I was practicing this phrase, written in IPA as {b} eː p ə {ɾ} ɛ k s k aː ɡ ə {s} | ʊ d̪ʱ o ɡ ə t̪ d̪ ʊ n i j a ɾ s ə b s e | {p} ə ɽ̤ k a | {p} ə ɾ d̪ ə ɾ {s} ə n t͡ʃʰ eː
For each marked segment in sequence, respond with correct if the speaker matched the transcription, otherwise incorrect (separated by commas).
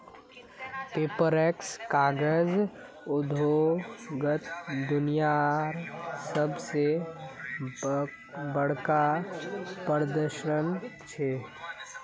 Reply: incorrect, correct, incorrect, incorrect, correct, incorrect